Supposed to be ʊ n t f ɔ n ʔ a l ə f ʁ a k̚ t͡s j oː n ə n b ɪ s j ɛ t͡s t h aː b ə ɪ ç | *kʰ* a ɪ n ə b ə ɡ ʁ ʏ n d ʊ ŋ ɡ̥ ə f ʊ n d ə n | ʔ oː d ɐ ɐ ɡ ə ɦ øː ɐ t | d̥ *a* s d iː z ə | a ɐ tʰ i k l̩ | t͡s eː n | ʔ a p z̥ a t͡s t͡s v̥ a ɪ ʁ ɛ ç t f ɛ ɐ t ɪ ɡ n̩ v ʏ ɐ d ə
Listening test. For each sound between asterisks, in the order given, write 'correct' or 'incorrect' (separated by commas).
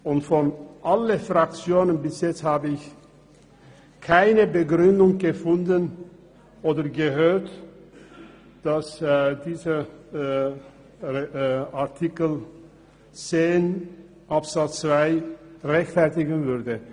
correct, correct